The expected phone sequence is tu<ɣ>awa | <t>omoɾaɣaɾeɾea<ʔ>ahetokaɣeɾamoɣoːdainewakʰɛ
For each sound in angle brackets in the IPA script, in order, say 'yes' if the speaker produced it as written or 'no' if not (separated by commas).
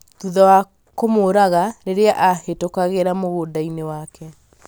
no, no, yes